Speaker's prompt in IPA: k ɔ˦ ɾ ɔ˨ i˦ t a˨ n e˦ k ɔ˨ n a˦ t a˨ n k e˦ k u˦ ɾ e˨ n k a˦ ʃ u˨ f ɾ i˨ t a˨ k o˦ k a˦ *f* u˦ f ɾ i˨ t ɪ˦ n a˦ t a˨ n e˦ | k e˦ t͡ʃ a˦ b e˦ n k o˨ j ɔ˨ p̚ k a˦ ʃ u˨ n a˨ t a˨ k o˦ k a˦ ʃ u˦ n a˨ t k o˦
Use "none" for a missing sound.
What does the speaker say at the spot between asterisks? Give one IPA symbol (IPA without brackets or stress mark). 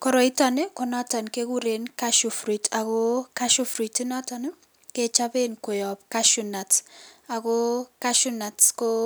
ʃ